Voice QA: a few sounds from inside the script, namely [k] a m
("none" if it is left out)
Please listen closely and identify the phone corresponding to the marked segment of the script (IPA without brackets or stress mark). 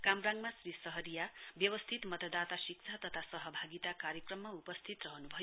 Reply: k